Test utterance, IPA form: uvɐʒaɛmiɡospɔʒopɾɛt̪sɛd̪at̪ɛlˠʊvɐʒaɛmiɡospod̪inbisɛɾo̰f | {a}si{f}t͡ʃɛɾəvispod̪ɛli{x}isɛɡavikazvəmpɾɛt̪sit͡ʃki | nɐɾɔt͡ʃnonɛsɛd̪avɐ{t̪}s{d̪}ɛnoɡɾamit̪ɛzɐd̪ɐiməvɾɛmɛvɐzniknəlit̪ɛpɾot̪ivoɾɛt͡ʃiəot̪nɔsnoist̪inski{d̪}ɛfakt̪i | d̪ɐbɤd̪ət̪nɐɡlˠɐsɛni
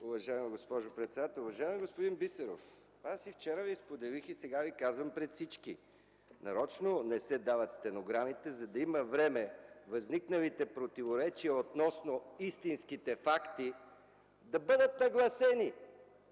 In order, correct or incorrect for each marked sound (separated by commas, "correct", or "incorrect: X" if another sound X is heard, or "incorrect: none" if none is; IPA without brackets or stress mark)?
correct, correct, correct, correct, incorrect: t̪, incorrect: t̪